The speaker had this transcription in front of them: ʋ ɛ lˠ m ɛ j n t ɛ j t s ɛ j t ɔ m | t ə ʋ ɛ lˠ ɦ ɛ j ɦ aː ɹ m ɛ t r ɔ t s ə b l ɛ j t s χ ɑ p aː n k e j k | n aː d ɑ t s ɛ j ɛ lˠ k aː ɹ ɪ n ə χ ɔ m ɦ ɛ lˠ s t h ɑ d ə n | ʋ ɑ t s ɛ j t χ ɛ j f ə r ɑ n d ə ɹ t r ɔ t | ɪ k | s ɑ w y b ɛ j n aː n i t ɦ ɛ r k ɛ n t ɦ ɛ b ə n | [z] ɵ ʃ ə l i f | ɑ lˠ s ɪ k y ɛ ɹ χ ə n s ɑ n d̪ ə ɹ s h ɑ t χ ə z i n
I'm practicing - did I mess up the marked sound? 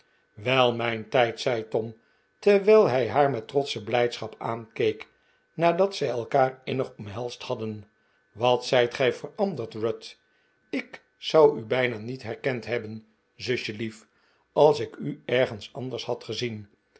no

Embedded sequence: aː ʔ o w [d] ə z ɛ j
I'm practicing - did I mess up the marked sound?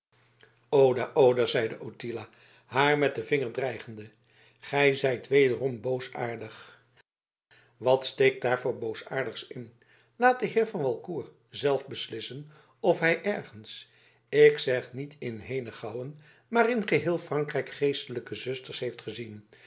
no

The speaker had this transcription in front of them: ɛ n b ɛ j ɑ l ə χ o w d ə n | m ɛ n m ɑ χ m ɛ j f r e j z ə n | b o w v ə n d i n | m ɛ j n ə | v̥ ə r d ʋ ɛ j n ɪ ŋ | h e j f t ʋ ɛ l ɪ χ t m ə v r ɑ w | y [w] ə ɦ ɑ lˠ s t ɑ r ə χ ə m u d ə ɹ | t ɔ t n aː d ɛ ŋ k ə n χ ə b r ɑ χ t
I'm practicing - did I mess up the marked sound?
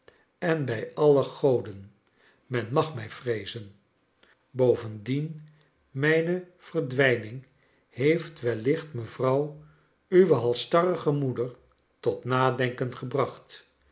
yes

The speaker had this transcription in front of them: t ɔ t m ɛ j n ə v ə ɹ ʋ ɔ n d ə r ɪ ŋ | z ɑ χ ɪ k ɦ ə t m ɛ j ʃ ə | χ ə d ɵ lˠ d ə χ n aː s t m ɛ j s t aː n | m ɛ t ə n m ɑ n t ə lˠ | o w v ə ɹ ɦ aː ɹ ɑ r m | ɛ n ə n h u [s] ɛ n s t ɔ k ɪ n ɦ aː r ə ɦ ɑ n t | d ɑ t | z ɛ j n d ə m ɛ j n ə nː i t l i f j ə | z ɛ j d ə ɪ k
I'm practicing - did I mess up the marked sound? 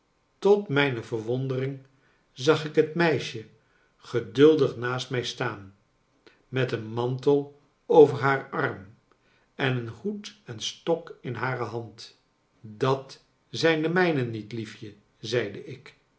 yes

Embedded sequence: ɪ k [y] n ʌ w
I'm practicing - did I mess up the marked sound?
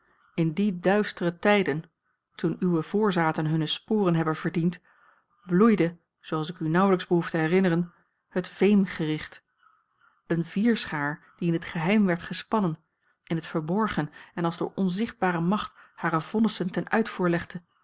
no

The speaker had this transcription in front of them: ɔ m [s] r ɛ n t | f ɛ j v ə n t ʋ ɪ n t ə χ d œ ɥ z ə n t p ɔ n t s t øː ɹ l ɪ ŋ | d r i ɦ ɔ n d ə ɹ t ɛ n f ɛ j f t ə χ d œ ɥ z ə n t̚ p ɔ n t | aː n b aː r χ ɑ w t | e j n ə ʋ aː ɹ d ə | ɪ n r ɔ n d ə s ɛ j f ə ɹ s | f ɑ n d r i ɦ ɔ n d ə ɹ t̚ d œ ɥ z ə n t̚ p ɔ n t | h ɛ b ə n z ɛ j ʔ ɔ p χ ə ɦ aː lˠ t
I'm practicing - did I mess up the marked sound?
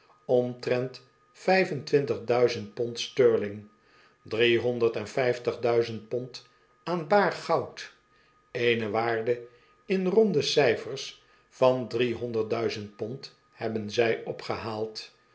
yes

